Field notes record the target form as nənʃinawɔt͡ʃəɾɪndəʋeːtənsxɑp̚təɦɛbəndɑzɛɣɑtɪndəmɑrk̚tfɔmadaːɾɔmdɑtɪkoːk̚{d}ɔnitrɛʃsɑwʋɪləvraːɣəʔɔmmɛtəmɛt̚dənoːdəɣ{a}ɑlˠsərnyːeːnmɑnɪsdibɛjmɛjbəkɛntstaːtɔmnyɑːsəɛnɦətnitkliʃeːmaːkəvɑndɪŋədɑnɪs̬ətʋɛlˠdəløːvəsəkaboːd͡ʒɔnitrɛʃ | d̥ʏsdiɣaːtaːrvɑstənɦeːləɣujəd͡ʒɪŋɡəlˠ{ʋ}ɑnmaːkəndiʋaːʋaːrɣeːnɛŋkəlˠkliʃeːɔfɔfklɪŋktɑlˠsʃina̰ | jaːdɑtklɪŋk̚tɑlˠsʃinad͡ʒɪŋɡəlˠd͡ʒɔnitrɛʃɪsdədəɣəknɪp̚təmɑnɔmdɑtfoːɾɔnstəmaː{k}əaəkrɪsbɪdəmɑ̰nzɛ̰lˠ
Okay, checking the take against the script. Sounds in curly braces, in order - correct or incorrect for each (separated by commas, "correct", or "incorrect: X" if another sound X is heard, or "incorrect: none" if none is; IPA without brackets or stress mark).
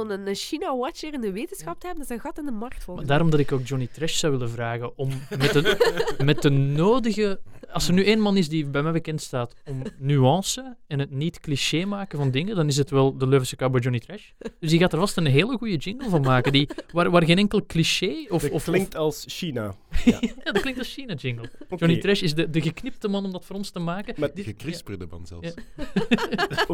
incorrect: d͡ʒ, incorrect: ə, incorrect: v, correct